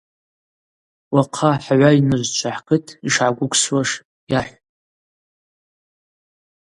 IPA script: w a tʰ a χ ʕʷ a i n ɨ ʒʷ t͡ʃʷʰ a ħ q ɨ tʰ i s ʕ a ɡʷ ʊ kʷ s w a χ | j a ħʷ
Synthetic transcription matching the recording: w a qʰ a ħ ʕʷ a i n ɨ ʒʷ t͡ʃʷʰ a ħ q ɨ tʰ i ʂ ʕ a ɡʷ ʊ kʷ s w a ʂ | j a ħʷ